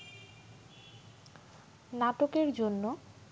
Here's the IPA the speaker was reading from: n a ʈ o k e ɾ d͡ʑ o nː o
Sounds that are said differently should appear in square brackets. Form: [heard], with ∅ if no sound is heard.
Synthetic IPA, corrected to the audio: n a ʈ o k e ɾ d͡ʑ o nː o